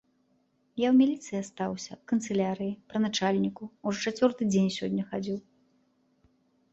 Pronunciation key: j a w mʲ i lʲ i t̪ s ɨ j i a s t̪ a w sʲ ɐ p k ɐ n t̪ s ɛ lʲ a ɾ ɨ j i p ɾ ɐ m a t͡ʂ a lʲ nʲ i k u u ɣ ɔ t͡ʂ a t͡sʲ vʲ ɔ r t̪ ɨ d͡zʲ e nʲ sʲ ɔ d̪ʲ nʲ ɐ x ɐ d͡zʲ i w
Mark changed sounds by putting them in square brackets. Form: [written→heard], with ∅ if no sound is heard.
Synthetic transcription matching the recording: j a w mʲ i lʲ i t̪ s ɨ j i a s t̪ a w sʲ ɐ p k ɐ n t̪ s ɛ lʲ a ɾ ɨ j i p ɾ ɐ [m→n] a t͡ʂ a lʲ nʲ i k u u [ɣ→ʐ] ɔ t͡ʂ a t͡sʲ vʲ ɔ r t̪ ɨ d͡zʲ e nʲ sʲ ɔ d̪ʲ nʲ ɐ x [ɐ→a] d͡zʲ i w

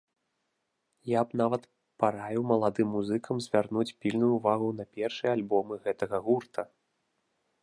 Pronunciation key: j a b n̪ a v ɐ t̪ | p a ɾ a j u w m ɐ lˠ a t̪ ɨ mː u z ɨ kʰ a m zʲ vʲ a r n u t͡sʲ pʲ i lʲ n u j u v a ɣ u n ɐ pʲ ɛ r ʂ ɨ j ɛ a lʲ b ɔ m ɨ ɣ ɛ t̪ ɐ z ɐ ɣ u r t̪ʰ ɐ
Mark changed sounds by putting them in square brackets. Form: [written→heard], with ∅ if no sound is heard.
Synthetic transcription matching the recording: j a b n̪ a v ɐ t̪ | p a ɾ a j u w m ɐ lˠ a [t̪→d̪] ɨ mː u z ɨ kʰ [a→ɐ] m zʲ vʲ a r n u t͡sʲ pʲ i lʲ n u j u v a ɣ u n ɐ pʲ ɛ r ʂ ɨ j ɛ a lʲ b ɔ m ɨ ɣ ɛ t̪ ɐ [z→ɣ] ɐ ɣ u r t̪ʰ ɐ

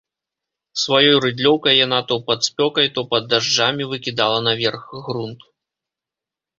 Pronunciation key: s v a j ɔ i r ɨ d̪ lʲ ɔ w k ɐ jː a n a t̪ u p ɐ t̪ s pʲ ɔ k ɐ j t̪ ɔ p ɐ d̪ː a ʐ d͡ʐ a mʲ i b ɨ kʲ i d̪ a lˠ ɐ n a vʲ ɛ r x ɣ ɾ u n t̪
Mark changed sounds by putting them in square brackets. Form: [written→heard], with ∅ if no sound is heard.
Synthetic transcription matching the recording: s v a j ɔ [i→j] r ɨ d̪ lʲ ɔ w k ɐ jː a n a t̪ [u→ɔ] p ɐ t̪ s pʲ ɔ k ɐ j t̪ ɔ p ɐ d̪ː a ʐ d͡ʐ a mʲ i [b→v] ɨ kʲ i d̪ a lˠ ɐ n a vʲ ɛ r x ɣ ɾ u n t̪

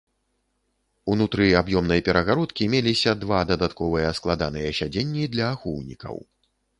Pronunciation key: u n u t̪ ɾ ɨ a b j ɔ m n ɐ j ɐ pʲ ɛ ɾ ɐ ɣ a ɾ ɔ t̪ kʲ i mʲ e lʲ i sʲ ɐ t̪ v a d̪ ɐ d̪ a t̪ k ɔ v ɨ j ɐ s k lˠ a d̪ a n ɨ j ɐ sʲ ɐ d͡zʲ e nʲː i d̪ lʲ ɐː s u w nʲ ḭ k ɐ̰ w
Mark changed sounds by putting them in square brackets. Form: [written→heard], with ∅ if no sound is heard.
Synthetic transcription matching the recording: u n u t̪ ɾ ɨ a b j ɔ m n ɐ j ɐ pʲ ɛ ɾ ɐ ɣ a ɾ ɔ t̪ kʲ i mʲ e lʲ i sʲ ɐ [t̪→d̪] v a d̪ ɐ d̪ a t̪ k ɔ v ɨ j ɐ s k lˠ a d̪ a n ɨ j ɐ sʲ [ɐ→a] d͡zʲ e nʲː i d̪ lʲ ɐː [s→x] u w nʲ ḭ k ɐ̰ w

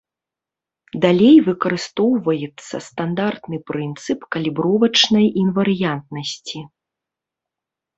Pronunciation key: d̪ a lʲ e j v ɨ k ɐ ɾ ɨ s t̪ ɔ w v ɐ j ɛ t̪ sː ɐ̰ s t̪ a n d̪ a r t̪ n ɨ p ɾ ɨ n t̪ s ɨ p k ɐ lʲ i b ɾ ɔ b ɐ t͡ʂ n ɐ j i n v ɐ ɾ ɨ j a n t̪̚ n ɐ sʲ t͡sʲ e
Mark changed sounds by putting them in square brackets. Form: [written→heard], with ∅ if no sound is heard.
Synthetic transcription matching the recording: d̪ a lʲ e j v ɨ k ɐ ɾ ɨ s t̪ ɔ w v ɐ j ɛ t̪ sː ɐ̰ s t̪ a n d̪ a r t̪ n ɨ p ɾ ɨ n t̪ s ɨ p k ɐ lʲ i b ɾ ɔ [b→v] ɐ t͡ʂ n ɐ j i n v ɐ ɾ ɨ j a n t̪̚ n ɐ sʲ t͡sʲ [e→i]

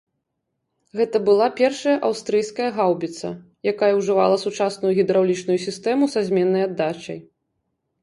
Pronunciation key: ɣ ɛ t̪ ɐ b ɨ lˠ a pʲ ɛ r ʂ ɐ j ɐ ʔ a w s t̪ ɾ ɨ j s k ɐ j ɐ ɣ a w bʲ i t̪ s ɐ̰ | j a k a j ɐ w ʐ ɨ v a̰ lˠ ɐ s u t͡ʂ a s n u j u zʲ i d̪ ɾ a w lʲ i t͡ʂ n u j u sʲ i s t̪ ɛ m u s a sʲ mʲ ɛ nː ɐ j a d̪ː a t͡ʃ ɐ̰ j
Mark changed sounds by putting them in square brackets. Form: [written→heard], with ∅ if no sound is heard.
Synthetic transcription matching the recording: ɣ ɛ t̪ ɐ b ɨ lˠ a pʲ ɛ r ʂ ɐ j ɐ ʔ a w s t̪ ɾ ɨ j s k ɐ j ɐ ɣ a w bʲ i t̪ s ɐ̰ | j a k a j ɐ w ʐ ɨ v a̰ lˠ ɐ s u t͡ʂ a s n u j u [zʲ→ɣʲ] i d̪ ɾ a w lʲ i t͡ʂ n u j u sʲ i s t̪ ɛ m u s a [sʲ→zʲ] mʲ ɛ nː ɐ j a d̪ː a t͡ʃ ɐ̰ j

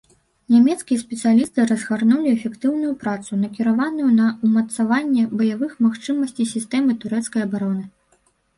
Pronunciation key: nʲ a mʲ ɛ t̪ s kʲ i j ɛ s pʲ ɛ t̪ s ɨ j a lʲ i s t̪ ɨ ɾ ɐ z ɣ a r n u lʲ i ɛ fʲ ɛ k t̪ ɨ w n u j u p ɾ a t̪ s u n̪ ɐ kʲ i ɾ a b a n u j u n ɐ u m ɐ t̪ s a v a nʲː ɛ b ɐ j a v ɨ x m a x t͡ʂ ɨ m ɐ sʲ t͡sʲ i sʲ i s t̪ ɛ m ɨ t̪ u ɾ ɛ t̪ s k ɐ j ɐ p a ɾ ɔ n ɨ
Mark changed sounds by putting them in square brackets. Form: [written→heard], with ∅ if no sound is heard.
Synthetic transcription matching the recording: nʲ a mʲ ɛ t̪ s kʲ i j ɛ s pʲ ɛ t̪ s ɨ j a lʲ i s t̪ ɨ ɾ ɐ z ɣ a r n u lʲ i ɛ fʲ ɛ k t̪ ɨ w n u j u p ɾ a t̪ s u n̪ ɐ kʲ i ɾ a [b→v] a n u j u n ɐ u m ɐ t̪ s a v a nʲː ɛ b ɐ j a v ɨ x m a x t͡ʂ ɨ m ɐ sʲ t͡sʲ i sʲ i s t̪ ɛ m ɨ t̪ u ɾ ɛ t̪ s k ɐ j ɐ [p→b] a ɾ ɔ n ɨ

